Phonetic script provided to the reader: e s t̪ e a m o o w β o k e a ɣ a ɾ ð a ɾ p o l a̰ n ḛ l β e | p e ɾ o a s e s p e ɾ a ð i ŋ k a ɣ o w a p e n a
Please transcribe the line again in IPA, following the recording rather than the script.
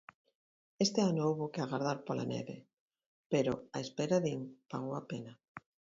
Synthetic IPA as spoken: e s t̪ e a n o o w β o k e a ɣ a ɾ ð a ɾ p o l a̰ n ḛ β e | p e ɾ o a e s p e ɾ a ð i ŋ p a ɣ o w a p e n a